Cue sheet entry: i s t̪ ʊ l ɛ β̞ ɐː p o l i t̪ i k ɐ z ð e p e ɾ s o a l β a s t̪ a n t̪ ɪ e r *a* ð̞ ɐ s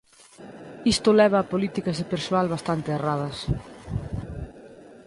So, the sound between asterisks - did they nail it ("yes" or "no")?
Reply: yes